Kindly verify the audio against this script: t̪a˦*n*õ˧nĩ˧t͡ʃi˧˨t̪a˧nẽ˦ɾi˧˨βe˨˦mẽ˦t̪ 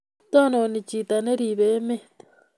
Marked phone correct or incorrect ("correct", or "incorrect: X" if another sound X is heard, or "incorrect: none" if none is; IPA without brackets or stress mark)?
correct